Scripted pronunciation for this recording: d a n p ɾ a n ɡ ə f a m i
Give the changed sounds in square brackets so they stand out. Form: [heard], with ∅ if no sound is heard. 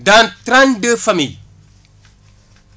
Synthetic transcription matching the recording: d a n [t] ɾ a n [d] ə f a m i